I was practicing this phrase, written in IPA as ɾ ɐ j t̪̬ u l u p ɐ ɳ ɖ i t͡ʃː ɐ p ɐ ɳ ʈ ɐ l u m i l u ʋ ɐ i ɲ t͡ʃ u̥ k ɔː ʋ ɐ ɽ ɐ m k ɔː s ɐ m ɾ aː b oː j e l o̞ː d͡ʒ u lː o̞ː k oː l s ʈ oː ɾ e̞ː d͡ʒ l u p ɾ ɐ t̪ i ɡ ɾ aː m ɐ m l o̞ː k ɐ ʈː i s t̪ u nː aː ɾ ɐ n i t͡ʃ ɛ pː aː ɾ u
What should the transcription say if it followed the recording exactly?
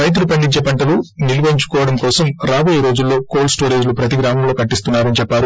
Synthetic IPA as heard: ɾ ɐ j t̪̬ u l u p ɐ ɳ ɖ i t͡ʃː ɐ p ɐ ɳ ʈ ɐ l u n i l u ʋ ɐ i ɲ t͡ʃ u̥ k ɔː ʋ ɐ ɽ ɐ m k ɔː s ɐ m ɾ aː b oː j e ɾ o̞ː d͡ʒ u lː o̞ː k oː l s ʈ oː ɾ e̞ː d͡ʒ l u p ɾ ɐ t̪ i ɡ ɾ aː m ɐ m l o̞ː k ɐ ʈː i s t̪ u nː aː ɾ ɐ n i t͡ʃ ɛ pː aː ɾ u

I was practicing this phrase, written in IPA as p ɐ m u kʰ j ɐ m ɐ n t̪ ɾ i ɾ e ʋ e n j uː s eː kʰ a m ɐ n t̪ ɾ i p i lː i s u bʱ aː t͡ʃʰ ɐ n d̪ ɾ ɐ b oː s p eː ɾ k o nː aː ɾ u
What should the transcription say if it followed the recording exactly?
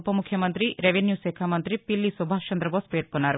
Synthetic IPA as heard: p ɐ m u kʰ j ɐ m ɐ n t̪ ɾ i ɾ e ʋ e n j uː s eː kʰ a m ɐ n t̪ ɾ i p i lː i s u bʱ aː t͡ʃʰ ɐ n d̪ ɾ ɐ b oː s p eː ɾ k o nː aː ɾ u

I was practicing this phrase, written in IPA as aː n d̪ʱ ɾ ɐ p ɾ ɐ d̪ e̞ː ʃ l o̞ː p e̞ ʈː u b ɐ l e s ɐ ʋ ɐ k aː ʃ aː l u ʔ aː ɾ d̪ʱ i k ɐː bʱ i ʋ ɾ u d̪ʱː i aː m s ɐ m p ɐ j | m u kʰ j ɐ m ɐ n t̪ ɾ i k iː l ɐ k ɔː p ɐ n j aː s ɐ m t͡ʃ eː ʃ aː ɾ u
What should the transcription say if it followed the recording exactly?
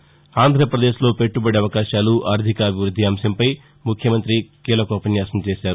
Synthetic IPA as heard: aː n d̪ʱ ɾ ɐ p ɾ ɐ d̪ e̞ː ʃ l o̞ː p e̞ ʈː u b ɐ ɽ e ɐ ʋ ɐ k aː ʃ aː l u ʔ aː ɾ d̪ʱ i k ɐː bʱ i ʋ ɾ u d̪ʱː i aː m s ɐ m p ɐ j | m u kʰ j ɐ m ɐ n t̪ ɾ i k iː l ɐ k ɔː p ɐ n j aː s ɐ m t͡ʃ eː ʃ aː ɾ u

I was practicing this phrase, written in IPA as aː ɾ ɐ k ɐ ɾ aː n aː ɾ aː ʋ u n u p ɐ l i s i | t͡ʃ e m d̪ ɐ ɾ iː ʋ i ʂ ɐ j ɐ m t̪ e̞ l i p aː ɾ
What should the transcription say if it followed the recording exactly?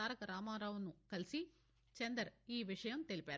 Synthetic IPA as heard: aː ɾ ɐ k ɐ ɾ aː m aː ɾ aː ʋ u n u k ɐ l i s i | t͡ʃ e n d̪ ɐ ɾ iː ʋ i ʂ ɐ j ɐ m t̪ e̞ l i p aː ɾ

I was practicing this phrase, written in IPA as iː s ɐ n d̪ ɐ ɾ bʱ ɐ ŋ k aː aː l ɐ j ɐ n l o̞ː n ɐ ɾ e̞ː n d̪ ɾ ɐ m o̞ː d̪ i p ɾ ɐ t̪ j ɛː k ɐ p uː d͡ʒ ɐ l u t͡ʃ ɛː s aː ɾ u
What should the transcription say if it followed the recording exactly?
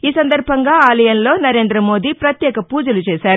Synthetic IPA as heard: iː s ɐ n d̪ ɐ ɾ bʱ ɐ ŋ ɡ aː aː l ɐ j ɐ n l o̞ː n ɐ ɾ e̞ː n d̪ ɾ ɐ m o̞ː d̪ i p ɾ ɐ t̪ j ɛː k ɐ p uː d͡ʒ ɐ l u t͡ʃ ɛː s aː ɾ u

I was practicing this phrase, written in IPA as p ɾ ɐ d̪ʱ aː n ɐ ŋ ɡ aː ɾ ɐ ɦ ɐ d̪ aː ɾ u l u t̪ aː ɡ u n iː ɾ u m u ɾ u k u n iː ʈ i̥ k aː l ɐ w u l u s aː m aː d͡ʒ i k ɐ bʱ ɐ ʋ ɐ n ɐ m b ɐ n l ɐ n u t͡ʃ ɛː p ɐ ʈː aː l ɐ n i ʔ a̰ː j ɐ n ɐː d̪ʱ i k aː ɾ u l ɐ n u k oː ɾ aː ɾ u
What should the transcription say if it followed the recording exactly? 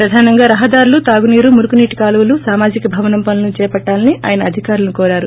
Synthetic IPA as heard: p ɾ ɐ d̪ʱ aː n ɐ ŋ ɡ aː ɾ ɐ ɦ ɐ d̪ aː ɾ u l u t̪ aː ɡ u n iː ɾ u m u ɾ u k u n iː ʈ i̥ k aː l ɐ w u l u s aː m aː d͡ʒ i k ɐ bʱ ɐ ʋ ɐ n ɐ m p ɐ n l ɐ n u t͡ʃ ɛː p ɐ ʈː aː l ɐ n i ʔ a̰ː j ɐ n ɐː d̪ʱ i k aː ɾ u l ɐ n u k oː ɾ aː ɾ u

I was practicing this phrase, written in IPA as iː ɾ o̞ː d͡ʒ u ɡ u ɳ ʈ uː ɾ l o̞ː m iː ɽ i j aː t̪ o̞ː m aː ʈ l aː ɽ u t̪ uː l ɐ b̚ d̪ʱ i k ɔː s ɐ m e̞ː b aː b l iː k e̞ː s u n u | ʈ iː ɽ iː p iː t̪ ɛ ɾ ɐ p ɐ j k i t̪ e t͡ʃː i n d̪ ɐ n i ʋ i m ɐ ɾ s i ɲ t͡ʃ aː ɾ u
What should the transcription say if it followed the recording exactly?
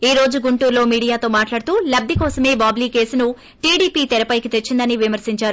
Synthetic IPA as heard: iː ɾ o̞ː d͡ʒ u ɡ u ɳ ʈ uː ɾ l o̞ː m iː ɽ i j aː t̪ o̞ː m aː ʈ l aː ɽ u t̪ uː l ɐ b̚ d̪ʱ i k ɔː s ɐ m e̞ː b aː b l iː k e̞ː s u n u | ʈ iː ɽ iː p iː t̪ ɛ ɾ ɐ p ɐ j k i t̪ e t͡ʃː i n d̪ ɐ n i ʋ i m ɐ ɾ s i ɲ t͡ʃ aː ɾ u

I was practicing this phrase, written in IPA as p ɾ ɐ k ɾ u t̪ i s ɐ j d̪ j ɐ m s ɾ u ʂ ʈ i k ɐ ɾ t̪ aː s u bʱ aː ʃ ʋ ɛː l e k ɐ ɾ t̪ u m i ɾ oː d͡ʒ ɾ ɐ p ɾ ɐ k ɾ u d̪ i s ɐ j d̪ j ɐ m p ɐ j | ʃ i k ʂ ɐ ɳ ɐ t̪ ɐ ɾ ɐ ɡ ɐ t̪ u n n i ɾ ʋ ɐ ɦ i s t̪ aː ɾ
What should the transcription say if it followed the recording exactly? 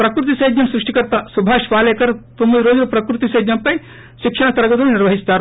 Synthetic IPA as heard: p ɾ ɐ k ɾ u t̪ i s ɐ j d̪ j ɐ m s ɾ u ʂ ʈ i k ɐ ɾ t̪ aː s u bʱ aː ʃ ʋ aː l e k ɐ ɾ t̪ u m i ɾ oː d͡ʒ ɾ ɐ p ɾ ɐ k ɾ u t̪ i s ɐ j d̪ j ɐ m p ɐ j | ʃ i k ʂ ɐ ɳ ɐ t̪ ɐ ɾ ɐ ɡ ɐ t̪ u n n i ɾ ʋ ɐ ɦ i s t̪ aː ɾ

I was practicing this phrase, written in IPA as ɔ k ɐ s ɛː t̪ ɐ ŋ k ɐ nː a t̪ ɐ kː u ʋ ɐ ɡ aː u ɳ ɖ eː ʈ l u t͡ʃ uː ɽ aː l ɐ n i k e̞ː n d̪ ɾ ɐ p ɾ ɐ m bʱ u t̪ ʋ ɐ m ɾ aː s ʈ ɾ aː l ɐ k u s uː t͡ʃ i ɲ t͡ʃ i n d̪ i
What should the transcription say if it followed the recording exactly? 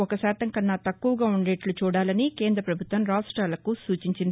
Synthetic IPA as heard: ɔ k ɐ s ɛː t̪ ɐ ŋ k ɐ nː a t̪ ɐ kː u ʋ ɐ ɡ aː u ɳ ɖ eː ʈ l u t͡ʃ uː ɽ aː l ɐ n i k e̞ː n d̪ ɾ ɐ p ɾ ɐ bʱ u t̪ ʋ ɐ m ɾ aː s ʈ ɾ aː l ɐ k u s uː t͡ʃ i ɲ t͡ʃ i n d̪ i

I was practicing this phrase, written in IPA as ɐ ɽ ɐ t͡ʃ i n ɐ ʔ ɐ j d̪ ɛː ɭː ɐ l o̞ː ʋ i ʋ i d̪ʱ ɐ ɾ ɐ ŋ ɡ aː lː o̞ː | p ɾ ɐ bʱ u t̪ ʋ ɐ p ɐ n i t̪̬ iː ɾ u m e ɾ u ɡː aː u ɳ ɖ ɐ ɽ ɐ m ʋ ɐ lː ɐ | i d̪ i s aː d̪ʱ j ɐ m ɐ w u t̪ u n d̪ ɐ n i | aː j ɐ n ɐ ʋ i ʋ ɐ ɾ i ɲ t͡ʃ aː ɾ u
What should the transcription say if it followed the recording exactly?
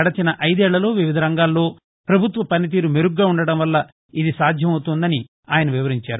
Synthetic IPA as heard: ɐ ɽ ɐ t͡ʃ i n ɐ ʔ ɐ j d̪ ɛː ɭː ɐ l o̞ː ʋ i ʋ i d̪ʱ ɐ ɾ ɐ ŋ ɡ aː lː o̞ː | p ɾ ɐ bʱ u t̪ ʋ ɐ p ɐ n i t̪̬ iː ɾ u m e ɾ u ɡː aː u ɳ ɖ ɐ ɽ ɐ m ʋ ɐ lː ɐ | i d̪ i s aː d̪ʱ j ɐ m ɐ w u t̪ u n d̪ ɐ n i | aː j ɐ n ɐ ʋ i ʋ ɐ ɾ i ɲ t͡ʃ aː ɾ u

